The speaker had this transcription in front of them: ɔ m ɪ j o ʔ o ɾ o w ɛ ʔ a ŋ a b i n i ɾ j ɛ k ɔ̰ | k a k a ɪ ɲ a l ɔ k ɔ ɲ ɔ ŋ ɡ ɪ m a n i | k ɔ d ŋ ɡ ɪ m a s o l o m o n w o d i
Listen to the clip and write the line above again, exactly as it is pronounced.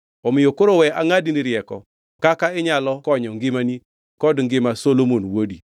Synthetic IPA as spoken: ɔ m ɪ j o k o ɾ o w ɛ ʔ a ŋ a d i n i ɾ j ɛ k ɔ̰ | k a k a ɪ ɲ a l ɔ k ɔ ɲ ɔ ŋ ɡ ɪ m a n i | k ɔ d ŋ ɡ ɪ m a s o l o m o n w o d i